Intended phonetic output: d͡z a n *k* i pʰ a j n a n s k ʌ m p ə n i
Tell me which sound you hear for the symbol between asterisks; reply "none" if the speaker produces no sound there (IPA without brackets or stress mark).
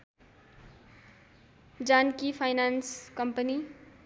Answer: k